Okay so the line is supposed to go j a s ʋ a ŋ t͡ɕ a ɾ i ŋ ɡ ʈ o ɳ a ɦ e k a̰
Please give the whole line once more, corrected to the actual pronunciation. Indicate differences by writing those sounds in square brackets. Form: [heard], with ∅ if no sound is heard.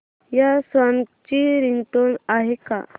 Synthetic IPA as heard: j a s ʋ a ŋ t͡ɕ [i] ɾ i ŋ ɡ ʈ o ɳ a ɦ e k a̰